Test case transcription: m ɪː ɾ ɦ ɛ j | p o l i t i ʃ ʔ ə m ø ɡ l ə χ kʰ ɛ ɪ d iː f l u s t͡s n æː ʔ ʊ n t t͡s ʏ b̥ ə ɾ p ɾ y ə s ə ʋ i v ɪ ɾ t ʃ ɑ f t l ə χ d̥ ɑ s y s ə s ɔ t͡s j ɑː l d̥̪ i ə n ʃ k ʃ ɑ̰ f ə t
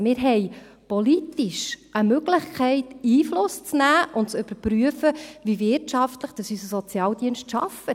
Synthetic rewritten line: m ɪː ɾ ɦ ɛ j | p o l i t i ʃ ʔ ə m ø ɡ l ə χ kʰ ɛ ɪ t iː f l ʊ s t͡s n æː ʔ ʊ n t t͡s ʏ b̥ ə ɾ p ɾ y ə f ə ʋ i v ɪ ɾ t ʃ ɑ f t l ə χ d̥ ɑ s y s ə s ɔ t͡s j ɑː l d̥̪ i ə n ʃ t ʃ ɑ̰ f ə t